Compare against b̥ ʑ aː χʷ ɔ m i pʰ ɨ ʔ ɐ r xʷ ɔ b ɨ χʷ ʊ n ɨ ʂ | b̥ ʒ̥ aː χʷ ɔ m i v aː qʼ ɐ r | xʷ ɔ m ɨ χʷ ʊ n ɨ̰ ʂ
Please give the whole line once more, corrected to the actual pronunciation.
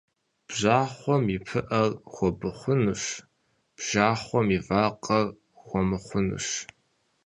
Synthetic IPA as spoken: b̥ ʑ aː χʷ ɔ m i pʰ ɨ ʔ ɐ r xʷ ɔ b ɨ χʷ ʊ n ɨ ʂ | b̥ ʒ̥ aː χʷ ɔ m i v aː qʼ ɐ r | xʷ ɔ m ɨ χʷ ʊ n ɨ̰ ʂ

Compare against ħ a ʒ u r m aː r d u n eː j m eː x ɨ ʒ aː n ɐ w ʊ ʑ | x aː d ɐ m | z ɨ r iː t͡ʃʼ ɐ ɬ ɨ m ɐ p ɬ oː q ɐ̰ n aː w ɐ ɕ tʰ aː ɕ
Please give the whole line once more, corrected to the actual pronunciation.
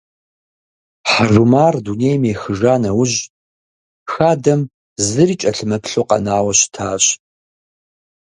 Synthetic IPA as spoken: ħ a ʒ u m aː r d u n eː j m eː x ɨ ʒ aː n ɐ w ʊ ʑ | x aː d ɐ m | z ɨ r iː t͡ʃʼ ɐ ɬ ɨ m ɐ p ɬ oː q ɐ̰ n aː w ɐ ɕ tʰ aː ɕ

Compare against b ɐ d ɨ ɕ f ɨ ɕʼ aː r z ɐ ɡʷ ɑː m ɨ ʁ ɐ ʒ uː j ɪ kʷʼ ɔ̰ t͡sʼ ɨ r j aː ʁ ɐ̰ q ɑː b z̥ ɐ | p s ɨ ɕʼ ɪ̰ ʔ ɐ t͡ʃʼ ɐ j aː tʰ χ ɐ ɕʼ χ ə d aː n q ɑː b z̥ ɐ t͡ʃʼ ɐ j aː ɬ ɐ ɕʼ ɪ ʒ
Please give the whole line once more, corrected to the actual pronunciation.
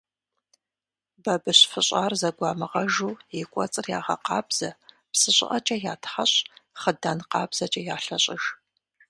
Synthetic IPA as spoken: b ɐ b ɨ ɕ f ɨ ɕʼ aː r z ɐ ɡʷ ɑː m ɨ ʁ ɐ ʒ uː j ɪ kʷʼ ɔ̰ t͡sʼ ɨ r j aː ʁ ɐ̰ q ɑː b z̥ ɐ | p s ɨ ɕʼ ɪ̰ ʔ ɐ t͡ʃʼ ɐ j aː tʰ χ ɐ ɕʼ χ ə d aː n q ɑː b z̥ ɐ t͡ʃʼ ɐ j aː ɬ ɐ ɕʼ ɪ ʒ

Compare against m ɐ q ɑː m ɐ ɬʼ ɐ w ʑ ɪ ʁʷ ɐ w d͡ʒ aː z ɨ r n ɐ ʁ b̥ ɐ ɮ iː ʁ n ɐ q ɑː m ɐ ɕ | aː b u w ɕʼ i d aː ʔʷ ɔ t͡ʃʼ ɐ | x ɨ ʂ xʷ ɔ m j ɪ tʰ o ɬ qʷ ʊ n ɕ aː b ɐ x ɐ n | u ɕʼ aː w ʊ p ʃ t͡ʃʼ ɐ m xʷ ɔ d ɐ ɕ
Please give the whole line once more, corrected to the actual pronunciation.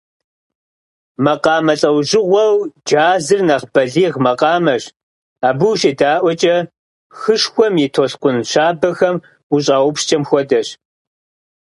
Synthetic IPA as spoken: m ɐ q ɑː m ɐ ɬʼ ɐ w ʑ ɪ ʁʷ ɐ w d͡ʒ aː z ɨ r n ɐ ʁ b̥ ɐ ɮ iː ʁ m ɐ q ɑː m ɐ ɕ | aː b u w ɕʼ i d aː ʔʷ ɔ t͡ʃʼ ɐ | x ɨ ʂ xʷ ɔ m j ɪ tʰ o ɬ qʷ ʊ n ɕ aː b ɐ x ɐ m | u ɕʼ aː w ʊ p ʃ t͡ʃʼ ɐ m xʷ ɔ d ɐ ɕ

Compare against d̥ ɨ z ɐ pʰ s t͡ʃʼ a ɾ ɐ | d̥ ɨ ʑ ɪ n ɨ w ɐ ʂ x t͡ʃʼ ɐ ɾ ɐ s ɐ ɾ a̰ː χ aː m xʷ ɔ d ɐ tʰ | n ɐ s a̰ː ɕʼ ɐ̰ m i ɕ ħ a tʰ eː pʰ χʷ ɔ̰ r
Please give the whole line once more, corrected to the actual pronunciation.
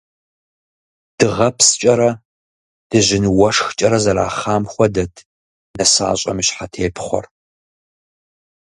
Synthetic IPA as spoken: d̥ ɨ ʁ ɐ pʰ s t͡ʃʼ ɐ ɾ ɐ | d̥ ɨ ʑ ɪ n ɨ w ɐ ʂ x t͡ʃʼ ɐ ɾ ɐ z ɐ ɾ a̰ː χ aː m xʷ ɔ d ɐ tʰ | n ɐ s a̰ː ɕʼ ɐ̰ m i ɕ ħ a tʰ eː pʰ χʷ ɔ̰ r

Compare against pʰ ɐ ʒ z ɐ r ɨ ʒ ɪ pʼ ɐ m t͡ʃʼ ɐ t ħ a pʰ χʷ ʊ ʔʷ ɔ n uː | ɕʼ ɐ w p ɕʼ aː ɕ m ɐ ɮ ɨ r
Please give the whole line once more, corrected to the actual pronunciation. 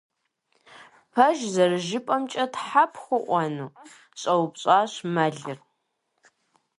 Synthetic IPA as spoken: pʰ ɐ ʒ z ɐ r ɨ ʒ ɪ pʼ ɐ m t͡ʃʼ ɐ t ħ a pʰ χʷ ʊ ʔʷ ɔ n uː | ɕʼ ɐ w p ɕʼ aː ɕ m ɐ ɮ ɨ r

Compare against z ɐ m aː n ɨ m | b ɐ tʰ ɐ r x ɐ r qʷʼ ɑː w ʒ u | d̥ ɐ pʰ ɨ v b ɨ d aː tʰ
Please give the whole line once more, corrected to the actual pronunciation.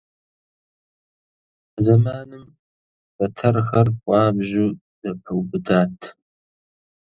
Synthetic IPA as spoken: z ɐ m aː n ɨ m | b ɐ tʰ ɐ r x ɐ r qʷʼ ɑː b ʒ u | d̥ ɐ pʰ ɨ w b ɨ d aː tʰ

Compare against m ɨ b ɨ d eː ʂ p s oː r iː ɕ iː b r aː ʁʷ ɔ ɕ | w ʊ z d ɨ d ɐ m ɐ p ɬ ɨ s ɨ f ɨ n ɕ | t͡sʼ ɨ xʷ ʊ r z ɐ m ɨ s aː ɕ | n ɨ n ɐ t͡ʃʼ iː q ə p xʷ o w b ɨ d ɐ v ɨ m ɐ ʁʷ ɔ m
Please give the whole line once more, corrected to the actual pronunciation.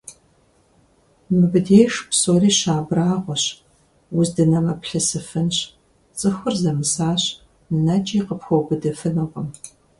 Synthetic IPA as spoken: m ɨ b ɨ d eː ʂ p s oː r iː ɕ aː b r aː ʁʷ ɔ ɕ | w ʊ z d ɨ n ɐ m ɐ p ɬ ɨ s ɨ f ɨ n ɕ | t͡sʼ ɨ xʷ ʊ r z ɐ m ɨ s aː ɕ | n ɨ n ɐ t͡ʃʼ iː q ə p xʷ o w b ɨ d ɐ f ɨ n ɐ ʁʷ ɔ m

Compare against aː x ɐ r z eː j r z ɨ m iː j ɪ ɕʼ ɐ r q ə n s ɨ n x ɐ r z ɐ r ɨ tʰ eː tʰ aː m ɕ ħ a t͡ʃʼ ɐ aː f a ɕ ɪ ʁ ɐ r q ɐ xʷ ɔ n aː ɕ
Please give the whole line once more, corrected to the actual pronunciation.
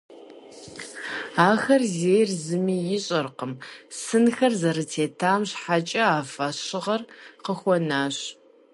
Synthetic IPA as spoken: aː x ɐ r z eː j r z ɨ m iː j ɪ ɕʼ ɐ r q ə m s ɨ n x ɐ r z ɐ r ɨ tʰ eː tʰ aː m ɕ ħ a t͡ʃʼ ɐ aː f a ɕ ɪ ʁ ɐ r q ə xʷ ɔ n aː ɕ

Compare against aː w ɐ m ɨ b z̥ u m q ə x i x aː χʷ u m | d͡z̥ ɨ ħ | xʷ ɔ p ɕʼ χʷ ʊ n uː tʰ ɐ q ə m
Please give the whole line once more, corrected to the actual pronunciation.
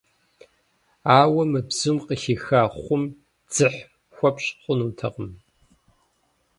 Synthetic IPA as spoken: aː w ɐ m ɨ b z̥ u m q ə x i x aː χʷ ʊ m | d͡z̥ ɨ ħ | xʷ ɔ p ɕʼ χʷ ʊ n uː tʰ ɐ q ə m

